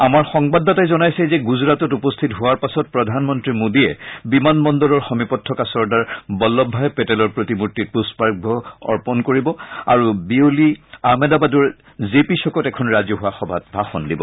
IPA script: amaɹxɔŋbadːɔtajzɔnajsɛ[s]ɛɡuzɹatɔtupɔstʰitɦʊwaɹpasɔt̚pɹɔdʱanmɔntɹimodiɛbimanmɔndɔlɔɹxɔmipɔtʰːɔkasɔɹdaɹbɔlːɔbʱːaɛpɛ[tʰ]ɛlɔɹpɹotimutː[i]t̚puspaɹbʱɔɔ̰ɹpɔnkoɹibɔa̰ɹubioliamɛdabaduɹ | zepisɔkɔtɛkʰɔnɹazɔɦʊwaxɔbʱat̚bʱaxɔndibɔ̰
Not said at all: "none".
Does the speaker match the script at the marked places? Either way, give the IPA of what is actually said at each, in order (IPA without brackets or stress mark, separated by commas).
z, t, i